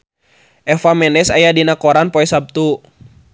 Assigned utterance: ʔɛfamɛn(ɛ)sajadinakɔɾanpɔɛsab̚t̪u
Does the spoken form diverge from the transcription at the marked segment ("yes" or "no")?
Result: no